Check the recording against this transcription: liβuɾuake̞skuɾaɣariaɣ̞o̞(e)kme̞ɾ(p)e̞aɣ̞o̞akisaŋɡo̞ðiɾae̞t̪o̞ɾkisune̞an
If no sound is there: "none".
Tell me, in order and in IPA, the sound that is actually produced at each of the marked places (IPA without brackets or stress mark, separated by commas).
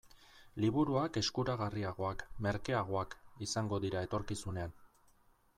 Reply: a, k